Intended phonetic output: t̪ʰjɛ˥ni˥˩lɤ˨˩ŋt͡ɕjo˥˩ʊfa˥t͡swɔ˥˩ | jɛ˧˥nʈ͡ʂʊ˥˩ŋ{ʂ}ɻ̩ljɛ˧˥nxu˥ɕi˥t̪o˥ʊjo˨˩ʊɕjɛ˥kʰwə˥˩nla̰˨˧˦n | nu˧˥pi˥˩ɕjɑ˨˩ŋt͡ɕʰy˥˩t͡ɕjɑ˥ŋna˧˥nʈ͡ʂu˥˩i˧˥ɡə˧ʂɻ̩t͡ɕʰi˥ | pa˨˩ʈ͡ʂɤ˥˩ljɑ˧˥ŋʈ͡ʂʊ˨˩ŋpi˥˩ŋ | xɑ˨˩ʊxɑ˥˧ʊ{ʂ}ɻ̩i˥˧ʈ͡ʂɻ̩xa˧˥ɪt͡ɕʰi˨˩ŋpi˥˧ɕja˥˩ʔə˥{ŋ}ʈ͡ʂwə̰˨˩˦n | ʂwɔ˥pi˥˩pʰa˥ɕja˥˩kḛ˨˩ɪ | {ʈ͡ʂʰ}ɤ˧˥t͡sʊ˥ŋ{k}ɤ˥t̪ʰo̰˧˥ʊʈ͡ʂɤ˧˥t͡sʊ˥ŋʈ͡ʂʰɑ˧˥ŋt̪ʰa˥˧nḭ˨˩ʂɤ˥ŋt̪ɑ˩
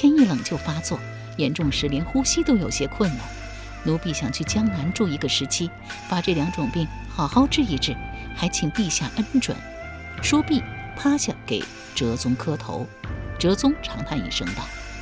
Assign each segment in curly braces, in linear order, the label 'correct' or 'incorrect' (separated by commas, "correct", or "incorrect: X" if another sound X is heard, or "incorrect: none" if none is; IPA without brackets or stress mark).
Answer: correct, incorrect: ʈ͡ʂ, incorrect: n, incorrect: ʈ͡ʂ, incorrect: kʰ